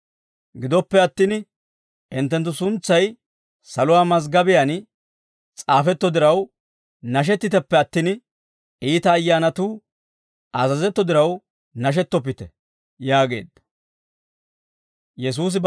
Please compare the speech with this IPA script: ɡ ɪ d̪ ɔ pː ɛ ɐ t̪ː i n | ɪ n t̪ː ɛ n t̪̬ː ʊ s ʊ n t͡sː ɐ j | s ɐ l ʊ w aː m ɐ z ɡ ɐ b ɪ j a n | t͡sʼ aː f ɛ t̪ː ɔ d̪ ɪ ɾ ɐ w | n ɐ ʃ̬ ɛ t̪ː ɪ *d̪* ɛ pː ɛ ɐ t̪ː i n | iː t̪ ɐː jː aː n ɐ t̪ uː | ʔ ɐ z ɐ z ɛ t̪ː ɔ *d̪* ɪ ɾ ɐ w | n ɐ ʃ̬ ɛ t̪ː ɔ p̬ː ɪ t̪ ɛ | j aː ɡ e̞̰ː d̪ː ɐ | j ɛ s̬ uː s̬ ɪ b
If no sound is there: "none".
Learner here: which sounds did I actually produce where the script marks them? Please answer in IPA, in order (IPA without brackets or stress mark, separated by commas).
t̪, d̪